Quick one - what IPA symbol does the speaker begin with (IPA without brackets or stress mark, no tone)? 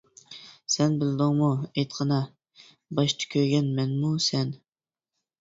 s